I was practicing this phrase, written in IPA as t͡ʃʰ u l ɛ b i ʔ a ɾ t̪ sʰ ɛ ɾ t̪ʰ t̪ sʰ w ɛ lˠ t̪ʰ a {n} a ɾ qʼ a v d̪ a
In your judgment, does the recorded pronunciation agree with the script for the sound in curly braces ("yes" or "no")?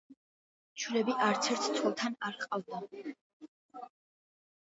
yes